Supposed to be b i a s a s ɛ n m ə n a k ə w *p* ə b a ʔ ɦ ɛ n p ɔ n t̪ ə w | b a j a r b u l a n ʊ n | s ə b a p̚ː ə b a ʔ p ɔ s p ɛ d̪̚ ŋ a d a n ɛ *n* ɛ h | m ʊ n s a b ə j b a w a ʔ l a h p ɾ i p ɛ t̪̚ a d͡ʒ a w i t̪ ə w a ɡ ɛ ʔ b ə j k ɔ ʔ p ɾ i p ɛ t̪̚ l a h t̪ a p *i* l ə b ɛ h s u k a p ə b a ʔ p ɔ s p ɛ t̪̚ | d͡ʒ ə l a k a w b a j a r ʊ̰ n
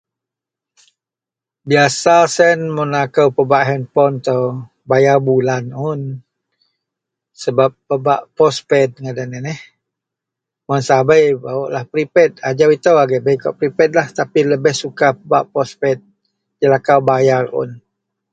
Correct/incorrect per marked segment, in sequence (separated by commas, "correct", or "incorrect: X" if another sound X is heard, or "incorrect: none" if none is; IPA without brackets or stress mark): correct, correct, correct